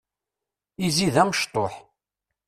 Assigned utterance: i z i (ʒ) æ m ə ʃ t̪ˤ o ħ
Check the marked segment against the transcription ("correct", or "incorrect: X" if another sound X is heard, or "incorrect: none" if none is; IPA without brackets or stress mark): incorrect: ð